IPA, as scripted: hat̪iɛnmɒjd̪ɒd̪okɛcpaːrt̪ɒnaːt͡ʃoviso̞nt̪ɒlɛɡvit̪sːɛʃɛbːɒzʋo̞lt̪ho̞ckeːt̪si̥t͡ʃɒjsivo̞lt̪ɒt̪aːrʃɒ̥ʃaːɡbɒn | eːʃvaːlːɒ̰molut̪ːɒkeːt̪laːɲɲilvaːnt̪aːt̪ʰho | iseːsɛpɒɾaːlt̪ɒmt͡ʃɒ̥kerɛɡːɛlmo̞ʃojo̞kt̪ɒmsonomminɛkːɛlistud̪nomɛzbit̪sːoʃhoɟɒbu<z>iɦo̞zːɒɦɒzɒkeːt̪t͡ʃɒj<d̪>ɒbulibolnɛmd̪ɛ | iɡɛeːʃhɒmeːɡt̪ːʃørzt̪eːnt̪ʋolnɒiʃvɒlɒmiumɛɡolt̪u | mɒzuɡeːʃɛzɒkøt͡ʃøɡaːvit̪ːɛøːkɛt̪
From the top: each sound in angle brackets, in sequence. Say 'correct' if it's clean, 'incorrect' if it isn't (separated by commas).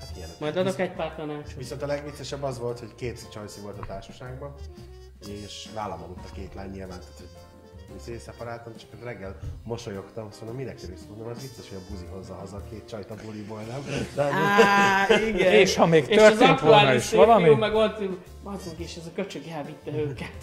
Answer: correct, incorrect